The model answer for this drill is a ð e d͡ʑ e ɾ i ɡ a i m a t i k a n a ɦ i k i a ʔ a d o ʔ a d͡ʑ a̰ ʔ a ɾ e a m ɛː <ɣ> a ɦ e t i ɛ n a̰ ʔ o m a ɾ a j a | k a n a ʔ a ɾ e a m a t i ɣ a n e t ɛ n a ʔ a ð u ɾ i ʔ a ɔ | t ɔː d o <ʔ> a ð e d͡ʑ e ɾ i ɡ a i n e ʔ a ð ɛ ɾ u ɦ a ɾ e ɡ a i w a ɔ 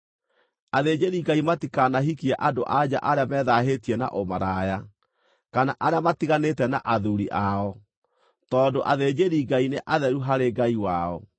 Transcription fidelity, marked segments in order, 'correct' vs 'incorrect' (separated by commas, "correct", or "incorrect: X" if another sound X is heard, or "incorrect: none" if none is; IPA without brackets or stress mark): incorrect: ð, correct